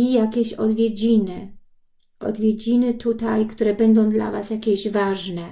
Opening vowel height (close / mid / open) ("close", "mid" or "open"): close